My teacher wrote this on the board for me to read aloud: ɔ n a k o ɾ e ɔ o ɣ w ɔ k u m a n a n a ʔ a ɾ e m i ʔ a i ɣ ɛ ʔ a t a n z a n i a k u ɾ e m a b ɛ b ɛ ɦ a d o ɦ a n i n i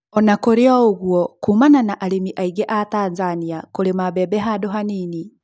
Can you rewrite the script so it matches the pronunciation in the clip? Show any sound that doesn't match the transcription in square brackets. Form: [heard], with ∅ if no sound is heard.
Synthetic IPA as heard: ɔ n a k o ɾ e ɔ o ɣ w ɔ k u m a n a n a ʔ a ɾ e m i ʔ a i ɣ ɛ ʔ a t a n z a n i a k [o] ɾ e m a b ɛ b ɛ ɦ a d o ɦ a n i n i